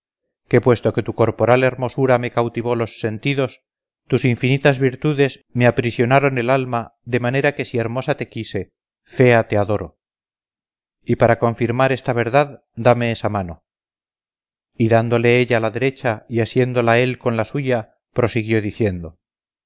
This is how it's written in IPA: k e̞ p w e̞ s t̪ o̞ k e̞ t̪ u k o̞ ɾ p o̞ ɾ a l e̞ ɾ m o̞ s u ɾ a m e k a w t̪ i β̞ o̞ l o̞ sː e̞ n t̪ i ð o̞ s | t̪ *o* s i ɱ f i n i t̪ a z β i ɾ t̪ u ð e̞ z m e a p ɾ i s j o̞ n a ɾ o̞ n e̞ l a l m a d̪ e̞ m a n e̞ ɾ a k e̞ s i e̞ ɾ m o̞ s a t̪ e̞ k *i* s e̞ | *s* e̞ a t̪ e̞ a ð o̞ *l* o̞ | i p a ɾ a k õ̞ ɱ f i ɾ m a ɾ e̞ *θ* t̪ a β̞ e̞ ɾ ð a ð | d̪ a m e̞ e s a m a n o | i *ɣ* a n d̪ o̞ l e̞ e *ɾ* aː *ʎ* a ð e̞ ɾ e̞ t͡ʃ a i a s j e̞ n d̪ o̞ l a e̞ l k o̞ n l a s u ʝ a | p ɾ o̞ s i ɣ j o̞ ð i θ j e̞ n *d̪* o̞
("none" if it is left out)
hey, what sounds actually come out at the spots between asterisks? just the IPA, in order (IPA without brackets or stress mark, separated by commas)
u, i, f, ɾ, s, ð, ʎ, l, d̪